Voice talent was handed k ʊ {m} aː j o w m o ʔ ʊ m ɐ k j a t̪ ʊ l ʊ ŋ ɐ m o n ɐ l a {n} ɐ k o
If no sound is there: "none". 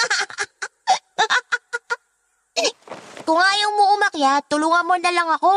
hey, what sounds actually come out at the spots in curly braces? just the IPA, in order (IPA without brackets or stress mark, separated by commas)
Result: ŋ, ŋ